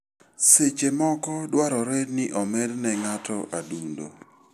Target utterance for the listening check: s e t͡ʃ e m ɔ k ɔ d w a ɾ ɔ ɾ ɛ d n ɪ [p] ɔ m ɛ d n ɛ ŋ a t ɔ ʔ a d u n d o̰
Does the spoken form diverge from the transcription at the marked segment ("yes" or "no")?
yes